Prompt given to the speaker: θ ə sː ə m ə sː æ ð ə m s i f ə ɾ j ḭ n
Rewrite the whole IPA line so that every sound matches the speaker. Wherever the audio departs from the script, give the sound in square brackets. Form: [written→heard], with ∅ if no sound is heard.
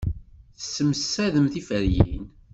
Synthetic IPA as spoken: θ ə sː ə m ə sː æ ð ə m [s→θ] i f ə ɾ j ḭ n